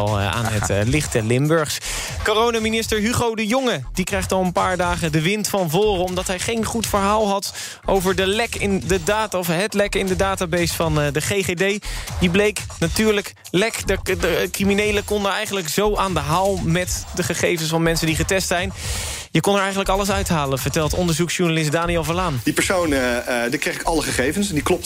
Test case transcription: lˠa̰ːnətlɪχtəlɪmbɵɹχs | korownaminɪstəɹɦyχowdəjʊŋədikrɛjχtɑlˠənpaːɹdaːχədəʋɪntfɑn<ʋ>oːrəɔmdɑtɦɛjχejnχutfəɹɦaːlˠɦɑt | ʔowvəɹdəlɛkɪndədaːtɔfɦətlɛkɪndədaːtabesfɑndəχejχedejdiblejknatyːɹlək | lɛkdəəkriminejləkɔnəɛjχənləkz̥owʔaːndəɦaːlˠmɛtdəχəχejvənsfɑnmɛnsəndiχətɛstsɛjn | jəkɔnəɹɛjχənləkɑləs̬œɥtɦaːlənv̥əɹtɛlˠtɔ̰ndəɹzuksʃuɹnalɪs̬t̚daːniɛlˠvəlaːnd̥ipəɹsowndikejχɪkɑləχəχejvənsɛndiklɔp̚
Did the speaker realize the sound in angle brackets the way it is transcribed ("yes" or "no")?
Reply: no